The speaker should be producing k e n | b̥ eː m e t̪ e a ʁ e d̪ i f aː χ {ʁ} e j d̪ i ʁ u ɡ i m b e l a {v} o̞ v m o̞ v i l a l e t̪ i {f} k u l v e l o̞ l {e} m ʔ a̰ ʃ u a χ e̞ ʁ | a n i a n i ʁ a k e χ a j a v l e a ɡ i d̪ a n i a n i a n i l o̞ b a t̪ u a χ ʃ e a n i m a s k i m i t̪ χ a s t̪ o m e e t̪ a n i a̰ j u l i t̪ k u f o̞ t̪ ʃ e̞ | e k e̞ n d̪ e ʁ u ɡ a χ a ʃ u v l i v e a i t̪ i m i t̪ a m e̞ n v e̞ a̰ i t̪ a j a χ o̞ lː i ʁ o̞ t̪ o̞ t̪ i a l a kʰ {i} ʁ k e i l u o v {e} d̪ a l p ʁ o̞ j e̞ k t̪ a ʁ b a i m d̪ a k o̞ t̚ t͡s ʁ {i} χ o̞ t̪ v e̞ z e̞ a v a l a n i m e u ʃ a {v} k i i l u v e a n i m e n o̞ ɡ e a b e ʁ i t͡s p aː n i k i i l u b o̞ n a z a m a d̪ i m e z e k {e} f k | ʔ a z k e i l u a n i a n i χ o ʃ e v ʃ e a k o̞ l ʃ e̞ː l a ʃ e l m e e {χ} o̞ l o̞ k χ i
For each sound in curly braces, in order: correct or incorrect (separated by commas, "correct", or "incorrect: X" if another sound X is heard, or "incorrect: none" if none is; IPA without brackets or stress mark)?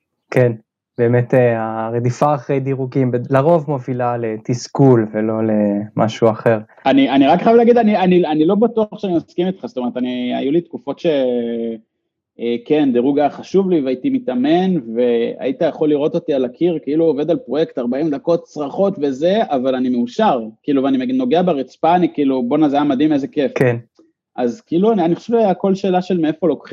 correct, incorrect: ʁ, incorrect: s, correct, correct, correct, incorrect: a, incorrect: ʁ, correct, incorrect: f